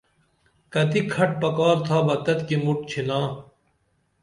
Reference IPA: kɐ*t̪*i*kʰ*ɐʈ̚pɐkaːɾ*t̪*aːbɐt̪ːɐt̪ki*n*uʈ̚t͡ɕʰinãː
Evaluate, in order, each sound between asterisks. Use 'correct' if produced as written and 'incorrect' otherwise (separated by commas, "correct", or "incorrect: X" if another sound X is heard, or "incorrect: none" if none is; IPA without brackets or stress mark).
correct, correct, incorrect: t̪ʰ, incorrect: m